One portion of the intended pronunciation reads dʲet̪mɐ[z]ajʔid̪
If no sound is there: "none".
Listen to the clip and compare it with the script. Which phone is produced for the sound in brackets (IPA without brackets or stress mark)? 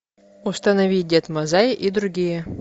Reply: z